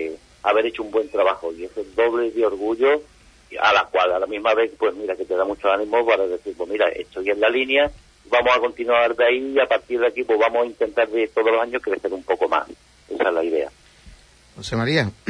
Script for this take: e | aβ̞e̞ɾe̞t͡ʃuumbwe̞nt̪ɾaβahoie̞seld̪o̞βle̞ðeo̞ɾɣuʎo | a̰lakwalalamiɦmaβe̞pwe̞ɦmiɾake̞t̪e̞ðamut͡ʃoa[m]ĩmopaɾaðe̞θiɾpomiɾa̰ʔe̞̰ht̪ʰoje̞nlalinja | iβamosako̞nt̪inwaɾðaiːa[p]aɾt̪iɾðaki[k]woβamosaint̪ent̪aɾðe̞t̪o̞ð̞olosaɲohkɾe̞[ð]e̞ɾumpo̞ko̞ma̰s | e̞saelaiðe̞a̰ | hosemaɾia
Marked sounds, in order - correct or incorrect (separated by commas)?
incorrect, correct, incorrect, incorrect